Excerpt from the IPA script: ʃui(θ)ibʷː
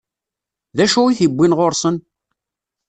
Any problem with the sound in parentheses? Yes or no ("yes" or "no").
no